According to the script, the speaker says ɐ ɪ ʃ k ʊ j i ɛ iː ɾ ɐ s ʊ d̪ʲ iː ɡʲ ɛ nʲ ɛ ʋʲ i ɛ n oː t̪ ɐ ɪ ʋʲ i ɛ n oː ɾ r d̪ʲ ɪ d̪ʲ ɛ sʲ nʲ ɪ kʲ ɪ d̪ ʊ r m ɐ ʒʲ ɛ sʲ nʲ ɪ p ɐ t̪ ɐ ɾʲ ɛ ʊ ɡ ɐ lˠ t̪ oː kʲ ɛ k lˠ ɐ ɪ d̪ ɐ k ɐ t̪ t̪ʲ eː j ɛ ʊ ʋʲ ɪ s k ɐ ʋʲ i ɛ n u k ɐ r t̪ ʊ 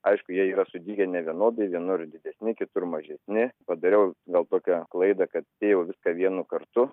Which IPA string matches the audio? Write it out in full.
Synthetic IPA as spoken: ɐ ɪ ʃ k ʊ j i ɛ iː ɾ ɐ s ʊ d̪ʲ iː ɡʲ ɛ nʲ ɛ ʋʲ i ɛ n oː d̪ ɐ ɪ ʋʲ i ɛ n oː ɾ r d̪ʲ ɪ d̪ʲ ɛ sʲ nʲ ɪ kʲ ɪ t̪ ʊ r m ɐ ʒʲ ɛ sʲ nʲ ɪ p ɐ d̪ ɐ ɾʲ ɛ ʊ ɡ ɐ lˠ t̪ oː kʲ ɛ k lˠ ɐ ɪ d̪ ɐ k ɐ t̪ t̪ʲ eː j ɛ ʊ ʋʲ ɪ s k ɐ ʋʲ i ɛ n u k ɐ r t̪ ʊ